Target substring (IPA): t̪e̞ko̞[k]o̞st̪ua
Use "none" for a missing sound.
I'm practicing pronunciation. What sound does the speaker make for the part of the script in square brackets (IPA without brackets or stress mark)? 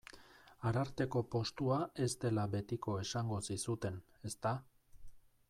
p